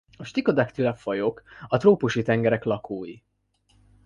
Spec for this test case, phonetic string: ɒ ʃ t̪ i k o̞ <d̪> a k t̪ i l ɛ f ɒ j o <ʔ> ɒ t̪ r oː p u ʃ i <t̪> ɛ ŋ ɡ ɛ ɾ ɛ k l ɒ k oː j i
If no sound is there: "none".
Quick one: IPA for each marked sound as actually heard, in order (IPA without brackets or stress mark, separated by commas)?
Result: d̪, k, t̪